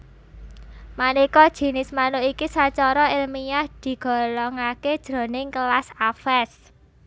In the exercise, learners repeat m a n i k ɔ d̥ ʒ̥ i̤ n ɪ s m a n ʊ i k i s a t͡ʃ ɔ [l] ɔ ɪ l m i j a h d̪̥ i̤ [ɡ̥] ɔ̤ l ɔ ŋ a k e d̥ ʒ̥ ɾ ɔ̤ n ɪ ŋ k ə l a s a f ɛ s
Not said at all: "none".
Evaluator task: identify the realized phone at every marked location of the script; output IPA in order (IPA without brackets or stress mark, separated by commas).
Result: ɾ, ɡ̥